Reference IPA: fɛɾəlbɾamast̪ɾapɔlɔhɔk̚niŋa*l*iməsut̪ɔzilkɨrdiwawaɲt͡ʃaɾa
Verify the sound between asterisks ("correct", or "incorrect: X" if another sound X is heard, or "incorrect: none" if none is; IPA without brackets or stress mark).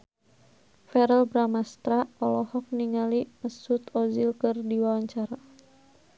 correct